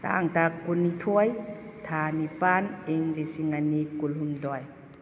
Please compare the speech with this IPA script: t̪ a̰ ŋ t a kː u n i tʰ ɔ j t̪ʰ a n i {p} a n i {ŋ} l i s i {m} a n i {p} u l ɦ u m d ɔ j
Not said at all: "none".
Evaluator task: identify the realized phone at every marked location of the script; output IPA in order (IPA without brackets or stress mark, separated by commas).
p, ŋ, ŋ, k